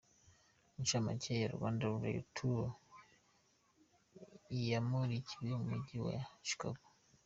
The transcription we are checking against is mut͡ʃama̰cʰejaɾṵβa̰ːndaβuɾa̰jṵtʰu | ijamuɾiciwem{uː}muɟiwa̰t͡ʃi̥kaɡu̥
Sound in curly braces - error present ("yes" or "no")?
yes